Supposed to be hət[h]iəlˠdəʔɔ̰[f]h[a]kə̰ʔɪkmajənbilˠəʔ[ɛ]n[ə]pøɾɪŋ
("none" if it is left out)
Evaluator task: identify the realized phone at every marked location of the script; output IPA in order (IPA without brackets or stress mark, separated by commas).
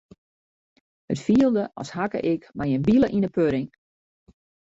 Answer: f, s, a, i, ə